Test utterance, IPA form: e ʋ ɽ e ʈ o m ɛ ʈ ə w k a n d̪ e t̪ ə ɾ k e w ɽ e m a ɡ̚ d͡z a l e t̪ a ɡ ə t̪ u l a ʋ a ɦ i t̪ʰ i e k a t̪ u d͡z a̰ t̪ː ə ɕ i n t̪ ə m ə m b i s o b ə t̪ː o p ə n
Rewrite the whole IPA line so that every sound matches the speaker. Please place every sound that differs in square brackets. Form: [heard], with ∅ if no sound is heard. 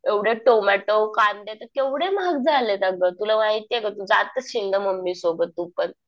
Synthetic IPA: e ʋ ɽ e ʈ o m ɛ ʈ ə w k a n d̪ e t̪ ə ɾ k e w ɽ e m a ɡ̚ d͡z a l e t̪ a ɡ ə t̪ u l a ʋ a ɦ i [t̪] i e k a t̪ u d͡z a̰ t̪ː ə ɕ i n [d̪] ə m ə m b i s o b ə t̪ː [u] p ə n